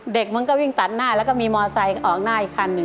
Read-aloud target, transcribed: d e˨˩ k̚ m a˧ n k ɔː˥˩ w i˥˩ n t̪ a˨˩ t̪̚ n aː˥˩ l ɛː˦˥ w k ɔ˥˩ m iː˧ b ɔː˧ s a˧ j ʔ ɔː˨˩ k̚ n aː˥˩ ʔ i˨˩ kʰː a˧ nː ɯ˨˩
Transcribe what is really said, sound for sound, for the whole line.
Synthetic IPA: d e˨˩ k̚ m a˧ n k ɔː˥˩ w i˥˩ ŋ t̪ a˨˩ t̪̚ n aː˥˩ l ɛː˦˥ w k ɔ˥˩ m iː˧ m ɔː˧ s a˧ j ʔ ɔː˨˩ k̚ n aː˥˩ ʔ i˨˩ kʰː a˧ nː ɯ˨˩